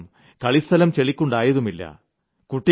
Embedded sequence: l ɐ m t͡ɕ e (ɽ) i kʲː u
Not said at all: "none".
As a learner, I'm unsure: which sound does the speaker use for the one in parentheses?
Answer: ɭ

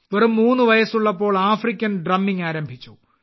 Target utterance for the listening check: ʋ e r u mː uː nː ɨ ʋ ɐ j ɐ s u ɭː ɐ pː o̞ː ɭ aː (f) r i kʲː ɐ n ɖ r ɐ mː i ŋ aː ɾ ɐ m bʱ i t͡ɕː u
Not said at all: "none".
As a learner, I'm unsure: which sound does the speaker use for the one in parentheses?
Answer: f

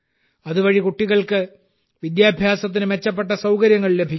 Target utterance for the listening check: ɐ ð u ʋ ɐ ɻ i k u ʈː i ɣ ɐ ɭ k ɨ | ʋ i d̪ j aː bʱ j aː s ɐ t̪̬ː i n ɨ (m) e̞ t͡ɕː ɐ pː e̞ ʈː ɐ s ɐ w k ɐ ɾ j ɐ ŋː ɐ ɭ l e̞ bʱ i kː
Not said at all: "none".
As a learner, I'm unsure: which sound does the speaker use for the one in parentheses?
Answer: m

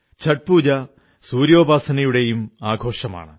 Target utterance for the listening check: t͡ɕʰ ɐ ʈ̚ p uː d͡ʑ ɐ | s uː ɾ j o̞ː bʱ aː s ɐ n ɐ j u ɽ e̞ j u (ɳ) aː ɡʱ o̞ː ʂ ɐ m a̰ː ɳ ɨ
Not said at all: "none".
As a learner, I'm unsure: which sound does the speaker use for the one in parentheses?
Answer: m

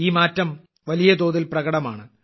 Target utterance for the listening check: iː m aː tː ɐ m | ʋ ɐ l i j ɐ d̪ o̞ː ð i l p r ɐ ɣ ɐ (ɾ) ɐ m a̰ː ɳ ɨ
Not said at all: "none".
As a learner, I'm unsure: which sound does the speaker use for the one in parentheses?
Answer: ɽ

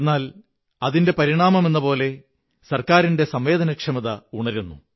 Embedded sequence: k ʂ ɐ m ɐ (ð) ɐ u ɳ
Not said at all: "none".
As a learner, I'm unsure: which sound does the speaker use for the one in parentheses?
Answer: ð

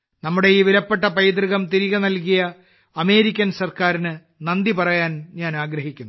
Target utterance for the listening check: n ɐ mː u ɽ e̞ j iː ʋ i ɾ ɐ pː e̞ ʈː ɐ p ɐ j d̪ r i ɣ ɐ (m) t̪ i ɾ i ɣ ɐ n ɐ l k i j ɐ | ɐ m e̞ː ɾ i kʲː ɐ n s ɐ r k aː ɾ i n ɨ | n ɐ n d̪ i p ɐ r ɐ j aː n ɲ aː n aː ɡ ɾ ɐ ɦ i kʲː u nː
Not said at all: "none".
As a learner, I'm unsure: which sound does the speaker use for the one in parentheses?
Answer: m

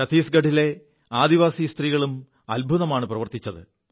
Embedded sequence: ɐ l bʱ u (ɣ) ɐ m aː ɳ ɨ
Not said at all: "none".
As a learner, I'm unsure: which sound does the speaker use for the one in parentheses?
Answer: ð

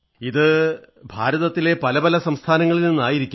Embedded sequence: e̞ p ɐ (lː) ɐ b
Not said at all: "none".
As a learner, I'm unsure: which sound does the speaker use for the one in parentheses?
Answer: l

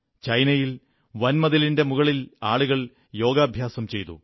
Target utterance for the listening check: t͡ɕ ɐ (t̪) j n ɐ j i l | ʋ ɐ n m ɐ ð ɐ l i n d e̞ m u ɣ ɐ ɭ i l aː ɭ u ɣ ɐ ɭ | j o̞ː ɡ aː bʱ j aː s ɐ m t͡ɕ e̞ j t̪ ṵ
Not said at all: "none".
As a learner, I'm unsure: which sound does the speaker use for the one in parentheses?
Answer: none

